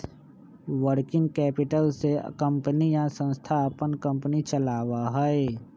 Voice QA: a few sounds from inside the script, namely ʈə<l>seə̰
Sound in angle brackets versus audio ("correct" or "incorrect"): correct